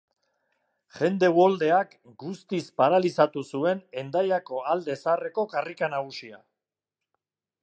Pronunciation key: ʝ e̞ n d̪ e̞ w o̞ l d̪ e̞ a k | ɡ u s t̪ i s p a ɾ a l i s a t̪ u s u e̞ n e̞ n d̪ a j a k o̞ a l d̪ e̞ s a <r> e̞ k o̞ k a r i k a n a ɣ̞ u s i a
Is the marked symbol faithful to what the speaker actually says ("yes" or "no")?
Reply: yes